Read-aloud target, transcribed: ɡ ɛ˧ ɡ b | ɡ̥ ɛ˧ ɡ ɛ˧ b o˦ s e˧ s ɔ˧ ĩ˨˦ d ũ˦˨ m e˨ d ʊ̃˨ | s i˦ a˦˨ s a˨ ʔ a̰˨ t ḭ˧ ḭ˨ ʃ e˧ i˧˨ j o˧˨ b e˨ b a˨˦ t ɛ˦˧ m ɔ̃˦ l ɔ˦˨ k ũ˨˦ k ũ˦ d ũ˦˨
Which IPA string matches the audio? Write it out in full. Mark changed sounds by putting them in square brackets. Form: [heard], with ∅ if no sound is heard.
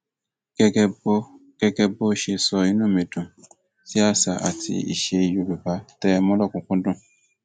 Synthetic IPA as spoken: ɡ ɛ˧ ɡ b | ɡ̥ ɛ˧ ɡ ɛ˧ b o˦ [ʃ] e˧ s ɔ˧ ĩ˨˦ [n] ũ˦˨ m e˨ d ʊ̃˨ | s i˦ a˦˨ s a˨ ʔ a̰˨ t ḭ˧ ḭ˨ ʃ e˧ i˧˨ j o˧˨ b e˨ b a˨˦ t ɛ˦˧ m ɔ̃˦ l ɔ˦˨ k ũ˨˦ k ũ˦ d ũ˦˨